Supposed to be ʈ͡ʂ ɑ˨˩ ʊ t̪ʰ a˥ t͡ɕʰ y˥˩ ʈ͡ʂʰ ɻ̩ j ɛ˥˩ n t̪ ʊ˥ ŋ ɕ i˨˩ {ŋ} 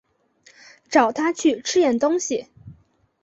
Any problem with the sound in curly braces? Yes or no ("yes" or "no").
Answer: yes